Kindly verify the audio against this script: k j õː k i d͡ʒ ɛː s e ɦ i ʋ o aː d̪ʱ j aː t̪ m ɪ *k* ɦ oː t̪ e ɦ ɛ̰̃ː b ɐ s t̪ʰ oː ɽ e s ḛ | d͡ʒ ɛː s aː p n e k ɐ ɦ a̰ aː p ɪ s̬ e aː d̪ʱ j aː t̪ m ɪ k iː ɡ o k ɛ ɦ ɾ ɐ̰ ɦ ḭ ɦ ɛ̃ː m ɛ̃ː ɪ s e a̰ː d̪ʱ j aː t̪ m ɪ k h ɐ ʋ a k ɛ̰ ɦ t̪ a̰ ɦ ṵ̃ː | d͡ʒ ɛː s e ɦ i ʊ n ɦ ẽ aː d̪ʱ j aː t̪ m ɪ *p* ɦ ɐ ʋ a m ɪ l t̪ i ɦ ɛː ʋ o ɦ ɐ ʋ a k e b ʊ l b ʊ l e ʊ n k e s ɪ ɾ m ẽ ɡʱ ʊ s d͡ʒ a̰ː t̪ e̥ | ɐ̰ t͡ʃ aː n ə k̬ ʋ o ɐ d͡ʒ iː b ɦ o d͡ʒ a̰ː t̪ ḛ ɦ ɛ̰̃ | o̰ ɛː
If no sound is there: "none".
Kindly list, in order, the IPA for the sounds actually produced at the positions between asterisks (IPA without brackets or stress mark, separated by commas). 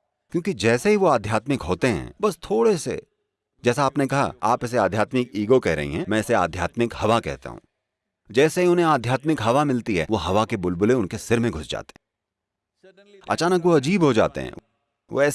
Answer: k, k